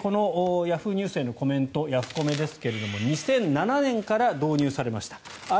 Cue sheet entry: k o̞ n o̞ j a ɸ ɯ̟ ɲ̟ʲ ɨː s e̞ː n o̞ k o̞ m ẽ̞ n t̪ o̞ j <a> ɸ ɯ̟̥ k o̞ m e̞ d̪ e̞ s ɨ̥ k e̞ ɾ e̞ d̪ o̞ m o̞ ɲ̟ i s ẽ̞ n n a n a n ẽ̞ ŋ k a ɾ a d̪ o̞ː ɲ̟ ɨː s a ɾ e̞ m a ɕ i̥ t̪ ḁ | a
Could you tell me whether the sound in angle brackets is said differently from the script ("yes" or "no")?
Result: no